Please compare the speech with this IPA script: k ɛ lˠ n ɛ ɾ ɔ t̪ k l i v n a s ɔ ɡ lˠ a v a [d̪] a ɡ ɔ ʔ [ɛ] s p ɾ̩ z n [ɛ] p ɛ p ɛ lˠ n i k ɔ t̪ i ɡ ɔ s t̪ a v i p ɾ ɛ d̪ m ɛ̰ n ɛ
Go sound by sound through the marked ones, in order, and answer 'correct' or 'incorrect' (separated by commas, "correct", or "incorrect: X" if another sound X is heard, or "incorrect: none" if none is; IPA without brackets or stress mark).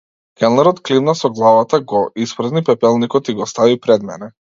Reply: incorrect: t̪, incorrect: i, incorrect: i